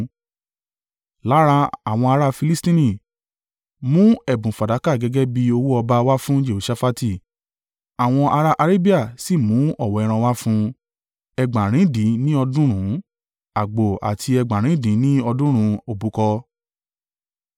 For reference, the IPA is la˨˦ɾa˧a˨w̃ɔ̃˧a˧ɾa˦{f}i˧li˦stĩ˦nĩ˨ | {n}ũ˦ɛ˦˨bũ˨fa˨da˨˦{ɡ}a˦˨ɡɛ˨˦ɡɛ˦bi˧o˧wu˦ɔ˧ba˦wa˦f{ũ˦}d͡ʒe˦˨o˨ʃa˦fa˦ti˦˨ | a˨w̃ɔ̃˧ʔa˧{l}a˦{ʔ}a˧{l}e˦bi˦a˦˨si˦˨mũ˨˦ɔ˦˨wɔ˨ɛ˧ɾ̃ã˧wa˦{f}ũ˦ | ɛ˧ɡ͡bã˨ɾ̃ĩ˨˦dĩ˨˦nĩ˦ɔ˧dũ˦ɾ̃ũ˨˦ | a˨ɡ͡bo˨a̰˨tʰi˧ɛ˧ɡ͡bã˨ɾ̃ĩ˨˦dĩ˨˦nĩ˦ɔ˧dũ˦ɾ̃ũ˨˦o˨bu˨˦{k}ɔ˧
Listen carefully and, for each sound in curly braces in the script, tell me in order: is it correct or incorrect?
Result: correct, incorrect: m, incorrect: k, correct, incorrect: ɾ, correct, incorrect: ɾ, correct, correct

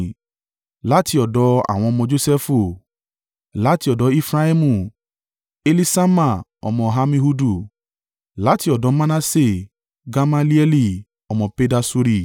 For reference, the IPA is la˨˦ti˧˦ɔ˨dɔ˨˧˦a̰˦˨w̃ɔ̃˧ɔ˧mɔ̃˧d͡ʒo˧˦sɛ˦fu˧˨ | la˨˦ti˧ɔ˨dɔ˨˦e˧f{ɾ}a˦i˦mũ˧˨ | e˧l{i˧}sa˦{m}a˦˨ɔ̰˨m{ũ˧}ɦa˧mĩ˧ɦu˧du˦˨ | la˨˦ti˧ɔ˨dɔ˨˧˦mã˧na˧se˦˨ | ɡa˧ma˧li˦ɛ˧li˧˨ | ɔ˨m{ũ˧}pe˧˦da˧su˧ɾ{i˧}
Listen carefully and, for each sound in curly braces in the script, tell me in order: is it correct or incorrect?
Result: correct, correct, correct, incorrect: ɔ̃˧, incorrect: ɔ̃˧, correct

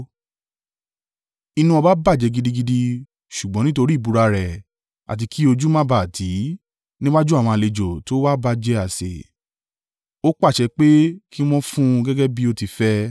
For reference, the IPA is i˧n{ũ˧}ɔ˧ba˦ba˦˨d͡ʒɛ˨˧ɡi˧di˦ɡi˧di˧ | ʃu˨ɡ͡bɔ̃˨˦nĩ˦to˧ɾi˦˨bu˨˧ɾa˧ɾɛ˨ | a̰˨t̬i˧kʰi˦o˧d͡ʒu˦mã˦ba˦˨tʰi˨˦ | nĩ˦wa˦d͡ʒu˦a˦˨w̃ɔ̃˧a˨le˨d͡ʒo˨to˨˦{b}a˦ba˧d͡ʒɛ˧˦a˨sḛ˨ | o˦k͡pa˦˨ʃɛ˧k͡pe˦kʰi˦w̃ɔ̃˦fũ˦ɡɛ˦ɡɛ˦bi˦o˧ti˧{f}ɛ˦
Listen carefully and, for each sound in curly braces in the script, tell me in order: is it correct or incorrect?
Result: correct, incorrect: w, correct

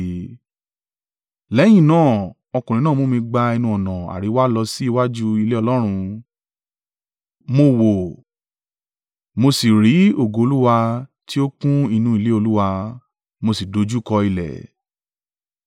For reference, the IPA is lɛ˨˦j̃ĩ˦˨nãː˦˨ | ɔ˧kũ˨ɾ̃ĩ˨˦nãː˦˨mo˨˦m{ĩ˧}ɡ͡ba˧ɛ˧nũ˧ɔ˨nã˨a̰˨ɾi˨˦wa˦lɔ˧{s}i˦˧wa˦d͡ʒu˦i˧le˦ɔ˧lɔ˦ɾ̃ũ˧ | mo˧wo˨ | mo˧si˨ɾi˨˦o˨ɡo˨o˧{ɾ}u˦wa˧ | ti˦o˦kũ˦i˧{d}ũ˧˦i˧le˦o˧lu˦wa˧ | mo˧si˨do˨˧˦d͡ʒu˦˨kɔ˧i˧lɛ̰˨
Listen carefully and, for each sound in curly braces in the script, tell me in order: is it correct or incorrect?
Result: correct, correct, incorrect: l, incorrect: n

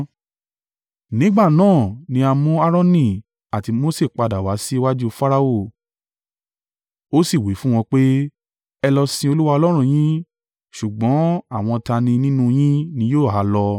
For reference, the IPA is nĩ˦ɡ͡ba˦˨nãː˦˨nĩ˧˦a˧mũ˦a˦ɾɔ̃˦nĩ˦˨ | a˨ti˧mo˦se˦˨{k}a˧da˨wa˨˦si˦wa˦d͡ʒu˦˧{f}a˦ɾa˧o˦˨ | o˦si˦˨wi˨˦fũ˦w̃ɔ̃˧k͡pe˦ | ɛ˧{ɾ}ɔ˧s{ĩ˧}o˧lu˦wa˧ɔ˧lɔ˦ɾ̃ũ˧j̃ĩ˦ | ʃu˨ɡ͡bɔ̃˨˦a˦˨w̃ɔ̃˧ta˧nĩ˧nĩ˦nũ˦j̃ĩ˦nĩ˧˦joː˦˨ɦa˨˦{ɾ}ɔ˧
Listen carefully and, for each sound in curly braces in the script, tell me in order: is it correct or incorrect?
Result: incorrect: k͡p, correct, incorrect: l, correct, incorrect: l

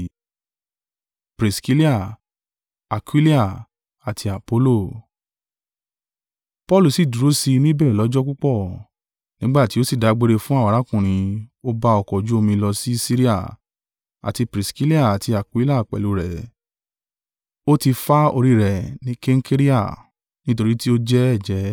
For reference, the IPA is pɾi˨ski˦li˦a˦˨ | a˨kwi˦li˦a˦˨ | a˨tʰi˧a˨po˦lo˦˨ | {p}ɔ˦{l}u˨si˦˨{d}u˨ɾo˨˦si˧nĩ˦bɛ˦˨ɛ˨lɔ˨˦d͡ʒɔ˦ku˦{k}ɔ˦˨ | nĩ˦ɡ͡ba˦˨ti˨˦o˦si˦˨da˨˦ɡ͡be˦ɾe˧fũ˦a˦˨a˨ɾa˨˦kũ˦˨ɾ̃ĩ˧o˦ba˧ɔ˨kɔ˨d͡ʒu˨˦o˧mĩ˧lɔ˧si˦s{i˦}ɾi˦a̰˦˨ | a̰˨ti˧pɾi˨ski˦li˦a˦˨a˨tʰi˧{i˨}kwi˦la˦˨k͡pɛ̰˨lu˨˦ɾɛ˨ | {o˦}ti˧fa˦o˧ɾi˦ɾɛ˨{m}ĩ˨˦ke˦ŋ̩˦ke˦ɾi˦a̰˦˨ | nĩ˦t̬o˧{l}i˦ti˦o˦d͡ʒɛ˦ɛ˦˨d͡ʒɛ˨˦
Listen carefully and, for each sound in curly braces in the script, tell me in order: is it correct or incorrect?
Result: correct, correct, correct, incorrect: k͡p, correct, incorrect: a˨, correct, incorrect: n, incorrect: ɾ

